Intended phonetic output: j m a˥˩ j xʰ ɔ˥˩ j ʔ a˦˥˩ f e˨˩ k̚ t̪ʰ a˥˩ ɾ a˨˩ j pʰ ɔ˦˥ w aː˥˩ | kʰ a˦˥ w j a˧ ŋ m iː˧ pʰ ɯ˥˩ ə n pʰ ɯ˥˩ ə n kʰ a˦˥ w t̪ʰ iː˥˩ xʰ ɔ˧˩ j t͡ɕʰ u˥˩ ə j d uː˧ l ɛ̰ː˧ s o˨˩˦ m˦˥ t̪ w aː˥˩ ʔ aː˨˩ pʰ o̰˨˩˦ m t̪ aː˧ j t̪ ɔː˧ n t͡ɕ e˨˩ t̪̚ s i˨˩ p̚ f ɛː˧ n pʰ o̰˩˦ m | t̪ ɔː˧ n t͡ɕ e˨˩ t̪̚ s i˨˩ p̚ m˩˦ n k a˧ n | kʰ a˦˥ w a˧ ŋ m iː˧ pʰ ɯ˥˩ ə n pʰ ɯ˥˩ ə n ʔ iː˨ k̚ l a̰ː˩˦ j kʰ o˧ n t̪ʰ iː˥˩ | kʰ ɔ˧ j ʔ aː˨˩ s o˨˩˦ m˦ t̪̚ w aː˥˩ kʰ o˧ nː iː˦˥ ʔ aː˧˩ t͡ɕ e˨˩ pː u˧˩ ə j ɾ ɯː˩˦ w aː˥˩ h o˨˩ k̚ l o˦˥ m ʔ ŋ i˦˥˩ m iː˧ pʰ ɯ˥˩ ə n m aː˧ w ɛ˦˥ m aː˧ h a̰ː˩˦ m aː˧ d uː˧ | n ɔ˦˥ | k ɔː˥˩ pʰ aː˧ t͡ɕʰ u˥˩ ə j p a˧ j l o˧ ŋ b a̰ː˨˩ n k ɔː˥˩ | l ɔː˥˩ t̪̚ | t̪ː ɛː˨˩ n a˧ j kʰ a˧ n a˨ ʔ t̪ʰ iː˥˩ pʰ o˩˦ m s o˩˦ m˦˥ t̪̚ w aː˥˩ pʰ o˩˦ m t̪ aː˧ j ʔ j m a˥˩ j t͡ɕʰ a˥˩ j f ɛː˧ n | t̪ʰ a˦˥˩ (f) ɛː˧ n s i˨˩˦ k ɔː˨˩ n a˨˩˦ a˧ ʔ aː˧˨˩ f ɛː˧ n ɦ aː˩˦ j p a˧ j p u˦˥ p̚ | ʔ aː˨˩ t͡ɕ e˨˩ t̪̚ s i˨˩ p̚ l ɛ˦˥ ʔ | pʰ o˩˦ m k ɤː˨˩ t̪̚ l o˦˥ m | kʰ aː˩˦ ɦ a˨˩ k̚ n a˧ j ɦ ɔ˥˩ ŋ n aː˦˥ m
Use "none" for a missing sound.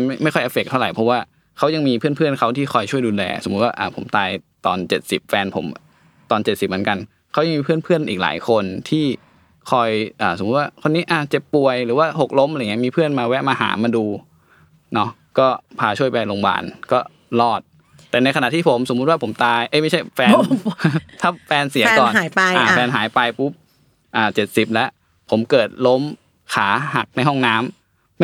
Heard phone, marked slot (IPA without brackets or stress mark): f